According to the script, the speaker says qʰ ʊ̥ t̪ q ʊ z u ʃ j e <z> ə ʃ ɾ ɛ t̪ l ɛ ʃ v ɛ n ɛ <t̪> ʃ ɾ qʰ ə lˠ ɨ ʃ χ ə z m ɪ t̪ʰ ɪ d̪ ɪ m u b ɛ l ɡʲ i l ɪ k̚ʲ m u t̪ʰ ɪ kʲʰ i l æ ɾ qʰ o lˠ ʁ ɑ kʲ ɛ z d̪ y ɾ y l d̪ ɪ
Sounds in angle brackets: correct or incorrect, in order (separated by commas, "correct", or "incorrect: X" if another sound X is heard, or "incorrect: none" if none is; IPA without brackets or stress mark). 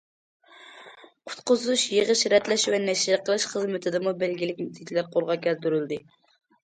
incorrect: ʁ, incorrect: none